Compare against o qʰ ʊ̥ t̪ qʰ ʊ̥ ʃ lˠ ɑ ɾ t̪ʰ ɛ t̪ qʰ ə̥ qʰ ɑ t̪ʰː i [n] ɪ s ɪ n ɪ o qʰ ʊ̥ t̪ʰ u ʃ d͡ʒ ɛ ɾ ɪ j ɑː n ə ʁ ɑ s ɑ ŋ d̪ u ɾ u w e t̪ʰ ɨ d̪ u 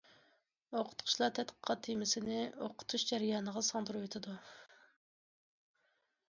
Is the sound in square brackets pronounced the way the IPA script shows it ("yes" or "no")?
no